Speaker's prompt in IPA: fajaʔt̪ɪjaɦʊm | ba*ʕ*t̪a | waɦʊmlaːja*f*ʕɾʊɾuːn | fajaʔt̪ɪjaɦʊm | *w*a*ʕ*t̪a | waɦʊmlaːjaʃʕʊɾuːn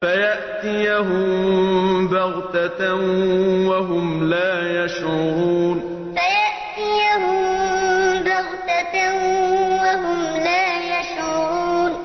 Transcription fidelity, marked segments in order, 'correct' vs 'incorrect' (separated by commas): incorrect, incorrect, incorrect, incorrect